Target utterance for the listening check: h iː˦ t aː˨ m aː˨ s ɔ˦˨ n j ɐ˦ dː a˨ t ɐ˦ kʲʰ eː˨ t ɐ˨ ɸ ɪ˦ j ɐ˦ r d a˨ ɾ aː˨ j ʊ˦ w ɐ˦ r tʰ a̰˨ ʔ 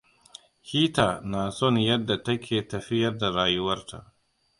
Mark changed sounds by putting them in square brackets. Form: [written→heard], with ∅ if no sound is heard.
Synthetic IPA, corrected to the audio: h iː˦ t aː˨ [m→n] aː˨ s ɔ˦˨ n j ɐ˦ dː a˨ t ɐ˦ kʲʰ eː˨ t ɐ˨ ɸ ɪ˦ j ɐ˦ r d a˨ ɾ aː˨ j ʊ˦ w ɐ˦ r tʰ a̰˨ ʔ